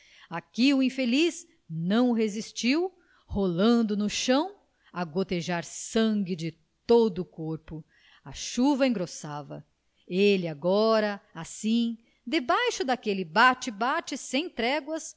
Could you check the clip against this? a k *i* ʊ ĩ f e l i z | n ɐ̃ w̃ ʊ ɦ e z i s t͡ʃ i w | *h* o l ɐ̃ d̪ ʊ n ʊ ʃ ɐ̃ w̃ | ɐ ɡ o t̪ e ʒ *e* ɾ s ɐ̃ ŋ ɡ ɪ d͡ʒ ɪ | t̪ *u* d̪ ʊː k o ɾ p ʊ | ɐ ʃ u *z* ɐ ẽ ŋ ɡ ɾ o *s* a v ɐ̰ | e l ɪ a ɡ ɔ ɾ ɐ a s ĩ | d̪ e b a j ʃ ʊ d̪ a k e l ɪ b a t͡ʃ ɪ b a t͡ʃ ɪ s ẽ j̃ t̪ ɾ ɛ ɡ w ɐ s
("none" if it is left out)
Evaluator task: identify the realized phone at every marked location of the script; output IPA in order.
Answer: i, h, a, o, v, s

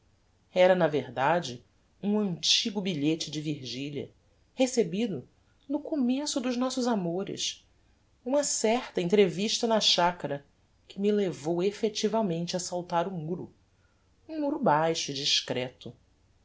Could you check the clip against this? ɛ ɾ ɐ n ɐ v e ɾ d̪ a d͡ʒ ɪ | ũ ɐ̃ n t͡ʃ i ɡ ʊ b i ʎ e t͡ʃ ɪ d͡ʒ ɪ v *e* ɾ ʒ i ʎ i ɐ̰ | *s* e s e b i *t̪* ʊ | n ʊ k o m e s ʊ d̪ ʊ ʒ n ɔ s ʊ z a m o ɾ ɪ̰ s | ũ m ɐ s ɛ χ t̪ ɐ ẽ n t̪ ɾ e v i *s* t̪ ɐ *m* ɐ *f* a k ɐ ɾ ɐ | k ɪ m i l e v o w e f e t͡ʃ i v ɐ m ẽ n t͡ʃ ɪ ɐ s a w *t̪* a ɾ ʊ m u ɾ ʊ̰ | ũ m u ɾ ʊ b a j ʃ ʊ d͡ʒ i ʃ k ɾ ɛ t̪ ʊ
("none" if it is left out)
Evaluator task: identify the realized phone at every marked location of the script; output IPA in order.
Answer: i, h, d̪, ʃ, n, ʃ, t̪

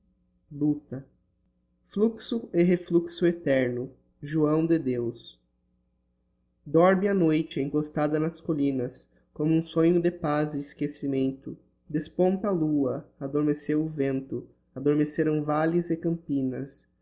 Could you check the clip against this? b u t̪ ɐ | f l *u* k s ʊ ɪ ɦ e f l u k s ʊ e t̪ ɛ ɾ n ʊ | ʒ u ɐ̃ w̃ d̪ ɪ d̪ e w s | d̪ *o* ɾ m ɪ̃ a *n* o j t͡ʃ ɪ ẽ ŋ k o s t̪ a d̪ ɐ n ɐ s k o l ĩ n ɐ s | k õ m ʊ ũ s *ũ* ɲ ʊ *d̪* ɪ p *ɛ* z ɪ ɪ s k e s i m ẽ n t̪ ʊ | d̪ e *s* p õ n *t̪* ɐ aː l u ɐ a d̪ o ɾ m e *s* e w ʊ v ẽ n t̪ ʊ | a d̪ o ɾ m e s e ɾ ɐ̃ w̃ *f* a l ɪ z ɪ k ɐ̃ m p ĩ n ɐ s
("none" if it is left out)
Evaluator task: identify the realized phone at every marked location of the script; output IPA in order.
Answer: u, ɔ, n, õ, d̪, a, s, t̪, s, v

